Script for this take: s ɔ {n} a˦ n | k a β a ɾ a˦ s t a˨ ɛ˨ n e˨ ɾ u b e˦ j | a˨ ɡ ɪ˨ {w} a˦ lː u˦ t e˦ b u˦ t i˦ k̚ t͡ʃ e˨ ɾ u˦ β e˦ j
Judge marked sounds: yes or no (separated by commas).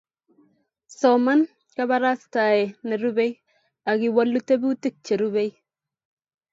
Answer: no, yes